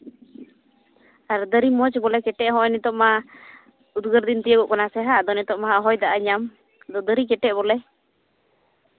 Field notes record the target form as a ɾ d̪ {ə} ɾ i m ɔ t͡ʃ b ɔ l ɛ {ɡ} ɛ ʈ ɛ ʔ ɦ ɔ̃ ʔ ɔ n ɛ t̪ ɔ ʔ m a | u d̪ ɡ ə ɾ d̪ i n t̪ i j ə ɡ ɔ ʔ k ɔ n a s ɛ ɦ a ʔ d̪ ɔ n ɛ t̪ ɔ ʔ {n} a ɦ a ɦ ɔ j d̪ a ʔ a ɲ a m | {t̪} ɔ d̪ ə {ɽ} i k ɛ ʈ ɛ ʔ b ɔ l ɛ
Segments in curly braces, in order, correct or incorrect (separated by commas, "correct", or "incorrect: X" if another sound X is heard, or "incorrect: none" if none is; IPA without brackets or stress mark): correct, incorrect: k, incorrect: m, incorrect: d̪, incorrect: ɾ